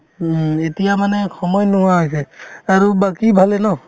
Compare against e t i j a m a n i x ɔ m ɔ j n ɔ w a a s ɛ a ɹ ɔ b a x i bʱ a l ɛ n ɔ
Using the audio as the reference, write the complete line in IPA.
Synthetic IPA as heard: e t i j a m a n ɛ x ɔ m ɔ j n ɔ w a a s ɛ a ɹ u b a k i bʱ a l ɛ n ɔ